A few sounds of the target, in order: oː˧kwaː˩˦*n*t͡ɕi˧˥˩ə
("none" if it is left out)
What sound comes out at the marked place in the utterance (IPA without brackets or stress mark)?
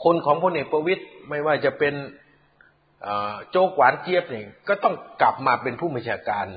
n